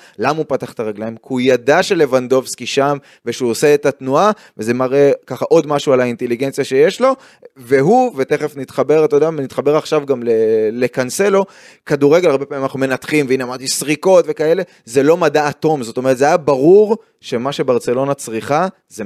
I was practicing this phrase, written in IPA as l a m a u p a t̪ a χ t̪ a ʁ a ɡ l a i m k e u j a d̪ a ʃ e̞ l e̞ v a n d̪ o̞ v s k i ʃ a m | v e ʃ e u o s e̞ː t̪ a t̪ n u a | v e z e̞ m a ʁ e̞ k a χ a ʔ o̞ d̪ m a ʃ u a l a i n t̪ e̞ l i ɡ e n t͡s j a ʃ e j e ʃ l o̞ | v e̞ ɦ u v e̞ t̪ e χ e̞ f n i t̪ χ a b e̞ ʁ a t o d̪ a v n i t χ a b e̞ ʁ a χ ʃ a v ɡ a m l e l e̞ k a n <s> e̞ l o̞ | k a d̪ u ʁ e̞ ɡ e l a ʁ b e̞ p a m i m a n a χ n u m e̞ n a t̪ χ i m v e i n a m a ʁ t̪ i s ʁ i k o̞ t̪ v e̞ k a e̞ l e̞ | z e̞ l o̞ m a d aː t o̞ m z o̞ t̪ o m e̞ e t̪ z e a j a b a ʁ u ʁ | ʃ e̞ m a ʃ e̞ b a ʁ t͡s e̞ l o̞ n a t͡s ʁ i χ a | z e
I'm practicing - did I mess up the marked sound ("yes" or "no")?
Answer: no